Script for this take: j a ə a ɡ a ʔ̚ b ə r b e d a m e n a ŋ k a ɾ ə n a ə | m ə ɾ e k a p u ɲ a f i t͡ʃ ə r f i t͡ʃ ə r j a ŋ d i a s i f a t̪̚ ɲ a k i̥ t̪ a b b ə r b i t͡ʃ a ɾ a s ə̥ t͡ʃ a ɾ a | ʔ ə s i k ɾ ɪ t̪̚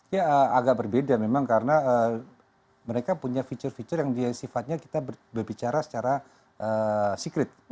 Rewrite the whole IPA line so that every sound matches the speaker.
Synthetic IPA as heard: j a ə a ɡ a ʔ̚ b ə r b e d a m e m a ŋ k a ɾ ə n a ə | m ə ɾ e k a p u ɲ a f i t͡ʃ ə r f i t͡ʃ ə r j a ŋ d i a s i f a t̪̚ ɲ a k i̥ t̪ a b b ə r b i t͡ʃ a ɾ a s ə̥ t͡ʃ a ɾ a | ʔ ə s i k ɾ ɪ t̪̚

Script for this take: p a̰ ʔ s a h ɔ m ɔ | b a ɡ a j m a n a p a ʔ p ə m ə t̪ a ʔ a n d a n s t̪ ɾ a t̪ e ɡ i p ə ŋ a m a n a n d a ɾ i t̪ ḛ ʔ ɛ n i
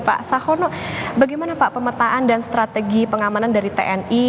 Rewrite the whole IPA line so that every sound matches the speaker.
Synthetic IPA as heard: p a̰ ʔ s a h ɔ n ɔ | b a ɡ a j m a n a p a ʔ p ə m ə t̪ a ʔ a n d a n s t̪ ɾ a t̪ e ɡ i p ə ŋ a m a n a n d a ɾ i t̪ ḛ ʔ ɛ n i

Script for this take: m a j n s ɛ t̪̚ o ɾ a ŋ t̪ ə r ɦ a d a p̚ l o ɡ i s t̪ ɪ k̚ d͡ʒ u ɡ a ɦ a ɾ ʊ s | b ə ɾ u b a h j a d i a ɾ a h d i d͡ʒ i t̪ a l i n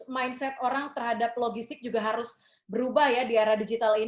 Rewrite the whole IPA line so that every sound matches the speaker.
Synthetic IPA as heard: m a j n s ɛ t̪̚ o ɾ a ŋ t̪ ə r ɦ a d a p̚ l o ɡ i s t̪ ɪ k̚ d͡ʒ u ɡ a ɦ a ɾ ʊ s | b ə ɾ u b a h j a d i a ɾ a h d i d͡ʒ i t̪ a l i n

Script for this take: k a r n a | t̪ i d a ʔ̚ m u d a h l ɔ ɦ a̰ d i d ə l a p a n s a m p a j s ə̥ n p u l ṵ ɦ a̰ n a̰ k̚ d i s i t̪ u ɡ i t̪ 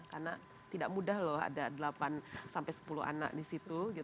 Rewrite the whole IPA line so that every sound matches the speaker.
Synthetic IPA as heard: k a r n a | t̪ i d a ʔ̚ m u d a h l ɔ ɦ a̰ d a d ə l a p a n s a m p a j s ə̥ p u l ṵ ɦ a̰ n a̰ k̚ d i s i t̪ u ɡ i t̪

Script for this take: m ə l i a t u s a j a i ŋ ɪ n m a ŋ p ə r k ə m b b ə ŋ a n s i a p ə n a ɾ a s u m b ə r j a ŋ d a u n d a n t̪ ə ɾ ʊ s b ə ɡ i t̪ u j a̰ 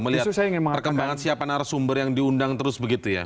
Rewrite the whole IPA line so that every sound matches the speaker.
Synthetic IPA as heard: m ə l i a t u s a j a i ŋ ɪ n m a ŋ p ə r k ə m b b a ŋ a n s i a p a n a ɾ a s u m b ə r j a ŋ d i u n d a ŋ t̪ ə ɾ ʊ s b ə ɡ i t̪ u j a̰

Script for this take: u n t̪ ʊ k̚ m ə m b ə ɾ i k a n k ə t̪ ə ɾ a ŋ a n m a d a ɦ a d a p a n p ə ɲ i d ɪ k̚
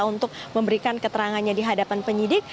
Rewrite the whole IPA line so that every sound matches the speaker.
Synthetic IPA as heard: u n t̪ ʊ k̚ m ə m b ə ɾ i k a n k ə t̪ ə ɾ a ŋ a n ɲ a d i ɦ a d a p a n p ə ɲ i d ɪ k̚

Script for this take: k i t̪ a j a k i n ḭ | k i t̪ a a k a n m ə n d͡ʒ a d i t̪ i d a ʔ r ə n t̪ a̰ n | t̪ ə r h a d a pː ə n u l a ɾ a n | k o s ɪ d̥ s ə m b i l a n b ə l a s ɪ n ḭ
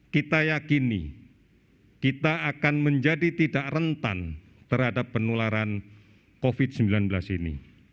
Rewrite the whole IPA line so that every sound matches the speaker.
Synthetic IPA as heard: k i t̪ a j a k i n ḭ | k i t̪ a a k a n m ə ɲ d͡ʒ a d i t̪ i d a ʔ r ə n t̪ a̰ n | t̪ ə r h a d a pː ə n u l a ɾ a n | k o f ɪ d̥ s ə m b i l a n b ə l a s i n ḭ

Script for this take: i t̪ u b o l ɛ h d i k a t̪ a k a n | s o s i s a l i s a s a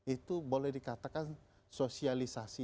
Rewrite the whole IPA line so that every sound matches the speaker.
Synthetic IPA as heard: i t̪ u b o l ɛ h d i k a t̪ a k a n | s o s i a l i s a s i

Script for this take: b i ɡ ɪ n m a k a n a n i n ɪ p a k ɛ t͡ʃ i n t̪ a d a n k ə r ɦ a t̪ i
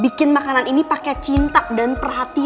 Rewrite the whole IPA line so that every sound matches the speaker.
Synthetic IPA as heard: b i k ɪ n m a k a n a n i n i p a k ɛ t͡ʃ i n t̪ a d a n p ə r ɦ a t̪ i

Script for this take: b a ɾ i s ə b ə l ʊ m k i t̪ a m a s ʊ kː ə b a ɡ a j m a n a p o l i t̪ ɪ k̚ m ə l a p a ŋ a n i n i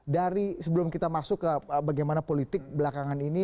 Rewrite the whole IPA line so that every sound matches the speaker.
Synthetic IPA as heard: d a ɾ i s ə b ə l ʊ m k i t̪ a m a s ʊ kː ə b a ɡ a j m a n a p o l i t̪ ɪ k̚ b ə l a k a ŋ a n i n i

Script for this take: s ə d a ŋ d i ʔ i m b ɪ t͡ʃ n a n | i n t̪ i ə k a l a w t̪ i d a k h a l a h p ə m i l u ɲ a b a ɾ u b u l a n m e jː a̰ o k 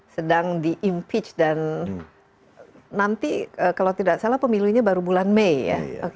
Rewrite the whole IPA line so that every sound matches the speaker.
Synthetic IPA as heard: s ə d a ŋ d i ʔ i m p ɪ t͡ʃ d a n | a n t̪ i ə k a l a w t̪ i d a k s a l a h p ə m i l u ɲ a b a ɾ u b u l a n m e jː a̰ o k

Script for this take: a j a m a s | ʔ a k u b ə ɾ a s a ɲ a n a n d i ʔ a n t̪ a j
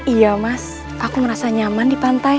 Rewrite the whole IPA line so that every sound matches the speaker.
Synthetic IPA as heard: i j a m a s | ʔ a k u m ə ɾ a s a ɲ a m a n d i p a n t̪ a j

